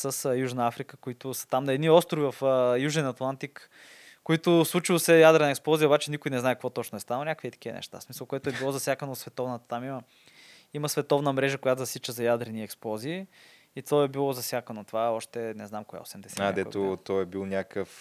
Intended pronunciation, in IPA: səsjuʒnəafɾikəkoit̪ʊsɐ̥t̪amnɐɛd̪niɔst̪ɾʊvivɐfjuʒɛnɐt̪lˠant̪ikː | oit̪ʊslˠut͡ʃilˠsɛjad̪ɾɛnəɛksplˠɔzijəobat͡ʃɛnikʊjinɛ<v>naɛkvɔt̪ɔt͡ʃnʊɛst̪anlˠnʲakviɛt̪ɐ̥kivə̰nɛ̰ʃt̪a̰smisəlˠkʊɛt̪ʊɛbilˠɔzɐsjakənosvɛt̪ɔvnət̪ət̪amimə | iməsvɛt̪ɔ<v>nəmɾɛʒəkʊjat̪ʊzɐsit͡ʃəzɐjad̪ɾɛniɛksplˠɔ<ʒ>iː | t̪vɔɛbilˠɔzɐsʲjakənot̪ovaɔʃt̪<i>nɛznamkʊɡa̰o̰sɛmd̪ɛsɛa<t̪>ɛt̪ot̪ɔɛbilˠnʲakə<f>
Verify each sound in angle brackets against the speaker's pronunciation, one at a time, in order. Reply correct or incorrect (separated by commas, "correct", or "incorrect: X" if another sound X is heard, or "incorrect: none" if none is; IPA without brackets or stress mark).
incorrect: z, correct, incorrect: z, incorrect: ɛ, incorrect: d̪, correct